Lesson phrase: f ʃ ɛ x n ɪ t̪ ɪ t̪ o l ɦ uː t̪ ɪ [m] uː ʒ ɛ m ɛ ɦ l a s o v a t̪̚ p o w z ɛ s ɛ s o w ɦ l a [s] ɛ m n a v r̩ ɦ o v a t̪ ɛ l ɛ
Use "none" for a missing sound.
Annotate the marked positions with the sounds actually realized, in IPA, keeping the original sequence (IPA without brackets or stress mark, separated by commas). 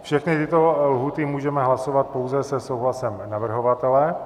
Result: m, s